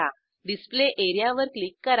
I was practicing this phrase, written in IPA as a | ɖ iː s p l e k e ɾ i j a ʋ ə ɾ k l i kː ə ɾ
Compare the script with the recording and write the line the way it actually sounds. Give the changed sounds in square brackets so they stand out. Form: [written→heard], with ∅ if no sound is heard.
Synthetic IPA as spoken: a | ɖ [iː→i] s p l e [k→ʔ] e ɾ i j a ʋ ə ɾ k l i kː ə ɾ